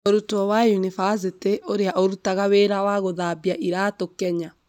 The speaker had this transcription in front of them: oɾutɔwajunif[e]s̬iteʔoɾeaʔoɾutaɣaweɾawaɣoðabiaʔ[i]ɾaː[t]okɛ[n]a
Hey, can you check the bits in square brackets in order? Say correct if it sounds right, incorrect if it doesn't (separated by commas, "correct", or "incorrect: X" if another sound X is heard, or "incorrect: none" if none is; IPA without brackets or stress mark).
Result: incorrect: a, correct, correct, incorrect: ɲ